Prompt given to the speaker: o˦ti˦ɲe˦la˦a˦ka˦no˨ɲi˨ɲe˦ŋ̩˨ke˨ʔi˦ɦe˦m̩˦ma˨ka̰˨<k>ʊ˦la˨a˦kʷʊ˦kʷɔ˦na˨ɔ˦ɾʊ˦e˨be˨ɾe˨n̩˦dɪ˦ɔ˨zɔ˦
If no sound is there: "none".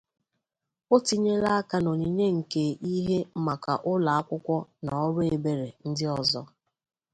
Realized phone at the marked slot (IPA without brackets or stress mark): ʔ